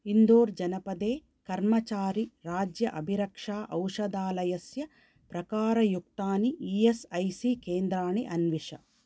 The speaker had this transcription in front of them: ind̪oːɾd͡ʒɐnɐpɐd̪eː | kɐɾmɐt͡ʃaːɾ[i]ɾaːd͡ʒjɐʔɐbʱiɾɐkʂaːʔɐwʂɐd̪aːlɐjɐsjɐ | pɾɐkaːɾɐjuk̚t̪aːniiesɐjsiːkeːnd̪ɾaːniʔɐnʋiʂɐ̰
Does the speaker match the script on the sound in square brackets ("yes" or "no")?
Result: yes